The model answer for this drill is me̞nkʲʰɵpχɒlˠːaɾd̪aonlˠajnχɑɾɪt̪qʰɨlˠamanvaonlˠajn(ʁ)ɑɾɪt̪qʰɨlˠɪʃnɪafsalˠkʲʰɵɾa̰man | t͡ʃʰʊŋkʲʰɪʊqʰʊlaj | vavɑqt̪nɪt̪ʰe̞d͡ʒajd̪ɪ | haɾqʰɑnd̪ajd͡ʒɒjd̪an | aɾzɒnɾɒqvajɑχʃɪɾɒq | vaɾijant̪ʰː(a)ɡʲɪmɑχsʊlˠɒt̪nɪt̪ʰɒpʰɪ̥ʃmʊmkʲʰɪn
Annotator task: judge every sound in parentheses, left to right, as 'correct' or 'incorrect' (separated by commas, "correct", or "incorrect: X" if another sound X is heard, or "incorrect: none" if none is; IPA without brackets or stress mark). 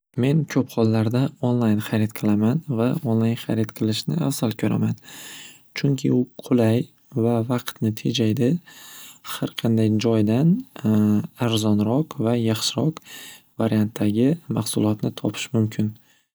incorrect: χ, correct